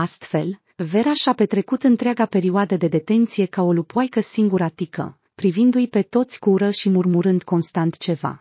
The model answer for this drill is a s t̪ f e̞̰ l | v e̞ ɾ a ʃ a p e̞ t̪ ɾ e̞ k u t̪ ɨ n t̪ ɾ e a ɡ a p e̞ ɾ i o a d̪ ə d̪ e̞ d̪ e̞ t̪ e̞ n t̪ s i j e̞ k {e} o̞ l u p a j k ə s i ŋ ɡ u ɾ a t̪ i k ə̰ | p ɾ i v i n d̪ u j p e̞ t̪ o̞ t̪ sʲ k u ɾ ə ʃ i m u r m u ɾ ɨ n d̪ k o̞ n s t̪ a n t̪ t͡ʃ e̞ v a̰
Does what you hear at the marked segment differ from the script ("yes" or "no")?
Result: yes